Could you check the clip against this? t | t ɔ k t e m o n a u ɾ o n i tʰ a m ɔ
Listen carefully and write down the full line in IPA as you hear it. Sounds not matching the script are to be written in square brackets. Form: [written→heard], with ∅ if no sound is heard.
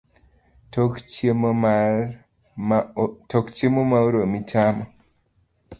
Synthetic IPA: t | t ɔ k [t→t͡ʃ] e m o [n→m] a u ɾ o [n→m] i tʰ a m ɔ